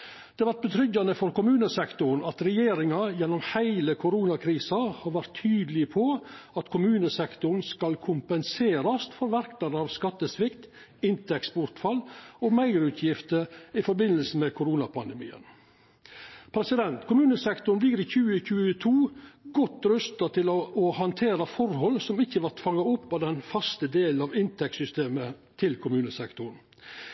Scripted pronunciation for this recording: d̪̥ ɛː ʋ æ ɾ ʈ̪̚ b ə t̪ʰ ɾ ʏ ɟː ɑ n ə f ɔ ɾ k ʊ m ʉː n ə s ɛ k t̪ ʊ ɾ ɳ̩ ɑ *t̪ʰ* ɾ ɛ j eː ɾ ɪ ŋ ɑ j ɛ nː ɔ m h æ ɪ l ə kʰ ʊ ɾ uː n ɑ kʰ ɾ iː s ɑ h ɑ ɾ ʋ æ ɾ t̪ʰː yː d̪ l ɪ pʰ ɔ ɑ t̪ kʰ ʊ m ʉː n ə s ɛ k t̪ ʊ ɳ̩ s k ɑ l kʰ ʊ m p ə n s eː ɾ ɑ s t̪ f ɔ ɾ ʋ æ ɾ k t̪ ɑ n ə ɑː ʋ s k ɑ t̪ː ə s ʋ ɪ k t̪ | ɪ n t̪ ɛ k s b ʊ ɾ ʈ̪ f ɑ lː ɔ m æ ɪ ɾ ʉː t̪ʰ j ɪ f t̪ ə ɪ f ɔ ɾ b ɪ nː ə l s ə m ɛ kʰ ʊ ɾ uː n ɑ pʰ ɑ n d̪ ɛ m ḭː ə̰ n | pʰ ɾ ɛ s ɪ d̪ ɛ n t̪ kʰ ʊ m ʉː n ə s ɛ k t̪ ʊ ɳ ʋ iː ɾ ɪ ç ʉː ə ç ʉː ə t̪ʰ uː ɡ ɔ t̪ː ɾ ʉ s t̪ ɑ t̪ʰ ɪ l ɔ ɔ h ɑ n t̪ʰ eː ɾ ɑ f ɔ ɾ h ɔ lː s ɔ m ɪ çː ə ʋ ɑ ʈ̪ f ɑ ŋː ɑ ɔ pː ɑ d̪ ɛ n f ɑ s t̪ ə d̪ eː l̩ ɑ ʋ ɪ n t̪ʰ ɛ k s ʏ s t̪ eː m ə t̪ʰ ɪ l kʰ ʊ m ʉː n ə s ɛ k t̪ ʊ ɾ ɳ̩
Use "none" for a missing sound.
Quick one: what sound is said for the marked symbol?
t̪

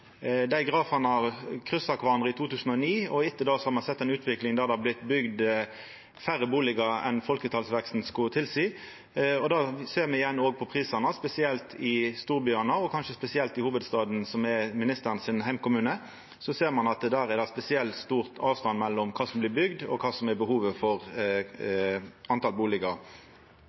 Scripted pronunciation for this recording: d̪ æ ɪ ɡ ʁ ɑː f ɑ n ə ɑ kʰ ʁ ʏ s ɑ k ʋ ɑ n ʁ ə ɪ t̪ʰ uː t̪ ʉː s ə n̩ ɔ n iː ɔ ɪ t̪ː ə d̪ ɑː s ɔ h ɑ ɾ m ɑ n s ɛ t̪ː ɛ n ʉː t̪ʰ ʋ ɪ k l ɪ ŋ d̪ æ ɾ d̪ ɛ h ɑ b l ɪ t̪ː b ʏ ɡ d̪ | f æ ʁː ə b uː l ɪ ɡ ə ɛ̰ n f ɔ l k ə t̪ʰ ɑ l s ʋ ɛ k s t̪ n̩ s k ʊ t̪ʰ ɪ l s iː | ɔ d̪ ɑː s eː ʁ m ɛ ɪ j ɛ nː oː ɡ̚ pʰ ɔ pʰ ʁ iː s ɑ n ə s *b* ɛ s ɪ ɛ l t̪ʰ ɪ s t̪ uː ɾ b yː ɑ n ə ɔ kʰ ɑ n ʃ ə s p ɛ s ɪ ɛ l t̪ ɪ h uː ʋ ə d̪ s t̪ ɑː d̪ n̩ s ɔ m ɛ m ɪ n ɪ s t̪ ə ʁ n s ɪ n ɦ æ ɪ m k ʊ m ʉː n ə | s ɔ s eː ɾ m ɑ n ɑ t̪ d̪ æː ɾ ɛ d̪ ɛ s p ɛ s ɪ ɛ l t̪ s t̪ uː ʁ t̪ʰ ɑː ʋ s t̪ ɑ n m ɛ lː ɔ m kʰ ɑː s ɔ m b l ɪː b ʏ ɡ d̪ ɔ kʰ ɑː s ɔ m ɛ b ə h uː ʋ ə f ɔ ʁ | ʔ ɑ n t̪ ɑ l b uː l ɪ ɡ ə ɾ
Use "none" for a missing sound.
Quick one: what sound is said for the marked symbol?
p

